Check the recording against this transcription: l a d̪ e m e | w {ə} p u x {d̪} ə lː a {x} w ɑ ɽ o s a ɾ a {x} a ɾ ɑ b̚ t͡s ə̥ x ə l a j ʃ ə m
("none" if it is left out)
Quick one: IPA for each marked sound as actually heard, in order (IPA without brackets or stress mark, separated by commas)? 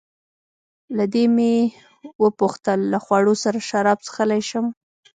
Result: ə, t̪, x, ʃ